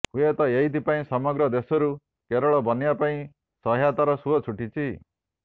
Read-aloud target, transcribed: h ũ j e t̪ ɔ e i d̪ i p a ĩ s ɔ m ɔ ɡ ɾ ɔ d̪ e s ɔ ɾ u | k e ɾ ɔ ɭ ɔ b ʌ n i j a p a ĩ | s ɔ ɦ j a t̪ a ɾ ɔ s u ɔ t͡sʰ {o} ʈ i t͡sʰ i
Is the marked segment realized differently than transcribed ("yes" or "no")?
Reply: yes